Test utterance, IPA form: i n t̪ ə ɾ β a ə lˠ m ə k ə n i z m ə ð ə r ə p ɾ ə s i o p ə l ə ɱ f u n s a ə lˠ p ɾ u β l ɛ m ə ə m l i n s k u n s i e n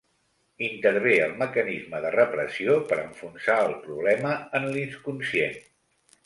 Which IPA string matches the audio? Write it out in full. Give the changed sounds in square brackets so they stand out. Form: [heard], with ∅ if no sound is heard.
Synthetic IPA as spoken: i n t̪ ə ɾ β [e] ə lˠ m ə k ə n i z m ə ð ə r ə p ɾ ə s i o p ə [ɾ] ə ɱ f u n s a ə lˠ p ɾ u β l ɛ m ə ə [n] l i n s k u n s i e n